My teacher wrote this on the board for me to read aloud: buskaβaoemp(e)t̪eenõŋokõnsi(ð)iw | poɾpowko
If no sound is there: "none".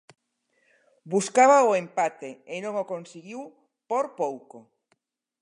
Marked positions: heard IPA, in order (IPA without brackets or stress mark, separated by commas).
a, ɣ